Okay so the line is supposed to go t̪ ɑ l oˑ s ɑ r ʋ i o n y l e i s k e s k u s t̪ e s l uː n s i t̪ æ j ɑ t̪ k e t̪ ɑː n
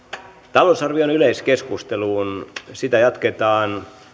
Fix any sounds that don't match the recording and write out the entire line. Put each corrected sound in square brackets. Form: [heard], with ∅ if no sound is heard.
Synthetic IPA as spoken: t̪ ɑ l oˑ s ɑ r ʋ i o n y l e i s k e s k u s t̪ e [∅] l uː n s i t̪ æ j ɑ t̪ k e t̪ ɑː n